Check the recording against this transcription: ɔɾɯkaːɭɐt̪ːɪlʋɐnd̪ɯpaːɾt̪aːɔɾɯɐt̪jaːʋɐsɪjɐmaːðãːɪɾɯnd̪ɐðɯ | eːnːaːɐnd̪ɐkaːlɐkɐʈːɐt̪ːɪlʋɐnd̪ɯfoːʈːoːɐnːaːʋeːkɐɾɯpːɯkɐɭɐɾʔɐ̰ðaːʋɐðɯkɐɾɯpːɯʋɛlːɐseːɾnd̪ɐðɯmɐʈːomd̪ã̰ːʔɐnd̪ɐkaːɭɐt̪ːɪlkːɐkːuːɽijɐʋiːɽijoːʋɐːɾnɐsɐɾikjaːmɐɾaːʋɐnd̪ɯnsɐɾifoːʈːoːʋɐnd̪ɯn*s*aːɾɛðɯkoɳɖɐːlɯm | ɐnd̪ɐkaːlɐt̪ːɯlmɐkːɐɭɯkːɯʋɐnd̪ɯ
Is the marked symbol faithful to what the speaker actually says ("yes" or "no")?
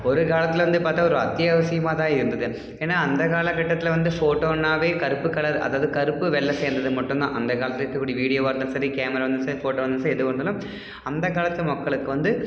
yes